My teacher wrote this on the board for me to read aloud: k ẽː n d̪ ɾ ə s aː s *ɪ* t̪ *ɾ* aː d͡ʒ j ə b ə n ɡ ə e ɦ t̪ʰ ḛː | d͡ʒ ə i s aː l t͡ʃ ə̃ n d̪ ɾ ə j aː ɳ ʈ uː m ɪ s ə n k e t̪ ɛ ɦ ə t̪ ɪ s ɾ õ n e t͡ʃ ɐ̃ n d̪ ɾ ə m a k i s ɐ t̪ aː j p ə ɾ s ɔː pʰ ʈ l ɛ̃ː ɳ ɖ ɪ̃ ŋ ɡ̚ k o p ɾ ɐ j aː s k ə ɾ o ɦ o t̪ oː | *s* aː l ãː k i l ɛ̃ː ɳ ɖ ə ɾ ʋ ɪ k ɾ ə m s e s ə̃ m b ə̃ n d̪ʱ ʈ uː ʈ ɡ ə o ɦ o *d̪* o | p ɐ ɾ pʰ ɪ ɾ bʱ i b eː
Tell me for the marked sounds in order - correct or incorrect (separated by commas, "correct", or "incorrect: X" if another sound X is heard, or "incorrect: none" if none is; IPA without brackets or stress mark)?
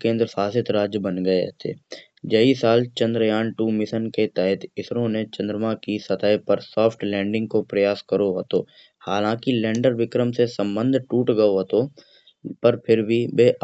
correct, correct, incorrect: h, incorrect: t̪